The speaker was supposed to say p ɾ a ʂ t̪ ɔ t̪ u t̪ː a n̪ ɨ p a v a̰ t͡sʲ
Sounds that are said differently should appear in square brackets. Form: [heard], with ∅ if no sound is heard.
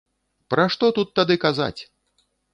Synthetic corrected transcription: p ɾ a ʂ t̪ ɔ t̪ u t̪ː a [d̪] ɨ [k] a [z] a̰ t͡sʲ